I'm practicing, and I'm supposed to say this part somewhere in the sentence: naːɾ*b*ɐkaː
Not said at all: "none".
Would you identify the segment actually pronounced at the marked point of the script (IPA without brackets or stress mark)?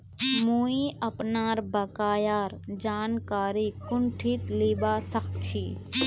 b